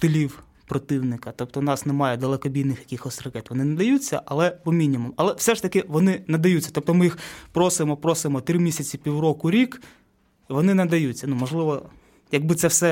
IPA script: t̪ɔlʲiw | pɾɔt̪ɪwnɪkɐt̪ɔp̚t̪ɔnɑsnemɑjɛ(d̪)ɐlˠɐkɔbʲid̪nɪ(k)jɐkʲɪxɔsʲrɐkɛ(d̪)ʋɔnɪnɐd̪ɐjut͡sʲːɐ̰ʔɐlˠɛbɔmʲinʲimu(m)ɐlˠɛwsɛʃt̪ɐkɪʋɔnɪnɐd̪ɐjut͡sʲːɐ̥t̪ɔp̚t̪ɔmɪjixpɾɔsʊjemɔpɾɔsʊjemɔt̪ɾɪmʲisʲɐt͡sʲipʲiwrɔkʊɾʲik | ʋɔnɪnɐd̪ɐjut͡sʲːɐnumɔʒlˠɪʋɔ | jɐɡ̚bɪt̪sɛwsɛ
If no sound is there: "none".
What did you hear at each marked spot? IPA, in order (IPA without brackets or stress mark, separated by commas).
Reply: d̪, x, t̪, m